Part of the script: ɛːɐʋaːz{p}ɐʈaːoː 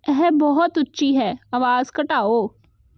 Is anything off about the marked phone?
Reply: yes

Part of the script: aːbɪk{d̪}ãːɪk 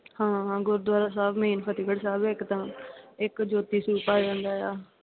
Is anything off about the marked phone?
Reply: yes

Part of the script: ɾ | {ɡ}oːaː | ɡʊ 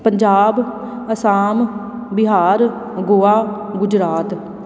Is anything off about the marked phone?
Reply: no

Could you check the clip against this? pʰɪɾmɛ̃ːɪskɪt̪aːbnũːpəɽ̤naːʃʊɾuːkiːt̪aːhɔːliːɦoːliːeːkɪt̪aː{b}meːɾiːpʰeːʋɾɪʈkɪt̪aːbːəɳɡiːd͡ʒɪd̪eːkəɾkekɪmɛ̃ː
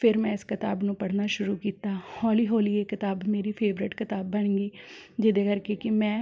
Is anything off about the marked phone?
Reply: no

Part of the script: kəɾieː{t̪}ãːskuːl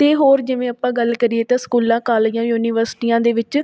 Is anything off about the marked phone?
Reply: no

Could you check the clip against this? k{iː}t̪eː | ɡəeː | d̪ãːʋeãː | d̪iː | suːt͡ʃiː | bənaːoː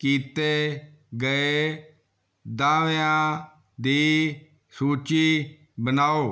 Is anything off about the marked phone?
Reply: no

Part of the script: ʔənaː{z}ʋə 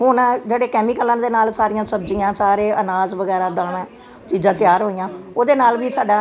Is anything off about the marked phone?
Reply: no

